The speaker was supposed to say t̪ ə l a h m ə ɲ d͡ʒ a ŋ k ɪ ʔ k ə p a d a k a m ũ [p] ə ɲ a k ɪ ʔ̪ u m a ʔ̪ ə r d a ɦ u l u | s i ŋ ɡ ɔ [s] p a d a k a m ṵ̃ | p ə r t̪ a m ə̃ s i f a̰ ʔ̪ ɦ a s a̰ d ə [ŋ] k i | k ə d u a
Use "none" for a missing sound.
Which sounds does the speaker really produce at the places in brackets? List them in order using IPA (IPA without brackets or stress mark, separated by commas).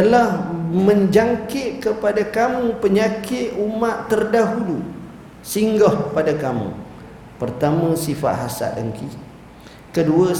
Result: p, h, ŋ